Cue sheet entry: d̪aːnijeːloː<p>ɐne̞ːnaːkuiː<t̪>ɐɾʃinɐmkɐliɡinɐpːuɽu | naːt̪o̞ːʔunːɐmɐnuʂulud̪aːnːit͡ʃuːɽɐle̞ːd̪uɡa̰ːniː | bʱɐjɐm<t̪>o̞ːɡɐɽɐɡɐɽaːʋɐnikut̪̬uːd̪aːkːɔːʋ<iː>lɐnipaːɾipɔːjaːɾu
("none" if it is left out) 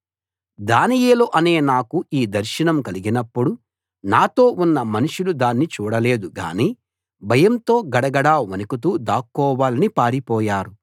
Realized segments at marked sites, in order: ʔ, d̪, t̪, aː

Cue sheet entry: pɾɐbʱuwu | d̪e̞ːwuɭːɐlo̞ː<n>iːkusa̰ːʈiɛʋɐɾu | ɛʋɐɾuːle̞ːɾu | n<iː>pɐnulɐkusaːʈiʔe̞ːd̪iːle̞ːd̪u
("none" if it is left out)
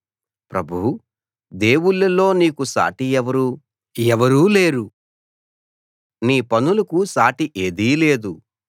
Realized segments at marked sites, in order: n, iː

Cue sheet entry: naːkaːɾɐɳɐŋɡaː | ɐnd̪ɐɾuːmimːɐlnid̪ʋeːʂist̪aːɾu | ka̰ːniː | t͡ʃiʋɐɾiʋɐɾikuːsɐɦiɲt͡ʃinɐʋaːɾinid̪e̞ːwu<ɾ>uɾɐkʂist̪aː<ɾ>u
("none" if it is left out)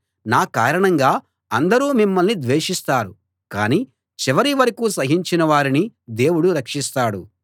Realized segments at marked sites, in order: ɽ, ɽ

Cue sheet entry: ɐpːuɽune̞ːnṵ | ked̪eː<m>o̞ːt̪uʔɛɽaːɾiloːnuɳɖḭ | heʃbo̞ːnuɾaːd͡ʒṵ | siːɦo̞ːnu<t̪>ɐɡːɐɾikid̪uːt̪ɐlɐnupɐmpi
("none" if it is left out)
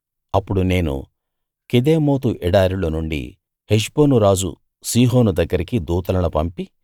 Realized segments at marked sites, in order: m, d̪

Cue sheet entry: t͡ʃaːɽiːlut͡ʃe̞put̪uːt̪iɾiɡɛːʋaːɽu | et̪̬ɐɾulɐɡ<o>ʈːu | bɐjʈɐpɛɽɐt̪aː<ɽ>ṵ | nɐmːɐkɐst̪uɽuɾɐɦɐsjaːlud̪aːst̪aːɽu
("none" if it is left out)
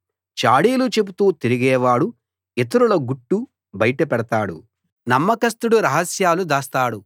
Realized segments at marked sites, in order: u, ɽ

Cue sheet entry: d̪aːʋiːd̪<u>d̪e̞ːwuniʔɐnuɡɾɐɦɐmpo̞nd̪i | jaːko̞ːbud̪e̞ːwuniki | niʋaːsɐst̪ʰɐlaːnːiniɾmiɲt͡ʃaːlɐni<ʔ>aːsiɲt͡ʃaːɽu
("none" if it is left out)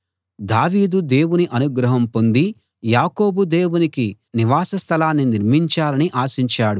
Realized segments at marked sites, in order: u, ʔ

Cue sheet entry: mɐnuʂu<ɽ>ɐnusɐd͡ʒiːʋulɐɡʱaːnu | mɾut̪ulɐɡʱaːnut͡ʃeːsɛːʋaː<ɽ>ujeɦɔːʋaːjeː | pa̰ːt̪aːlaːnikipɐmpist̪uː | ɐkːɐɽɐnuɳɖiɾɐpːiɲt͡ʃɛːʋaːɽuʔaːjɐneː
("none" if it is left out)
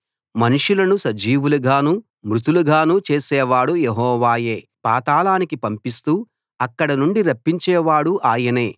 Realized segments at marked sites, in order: l, ɽ

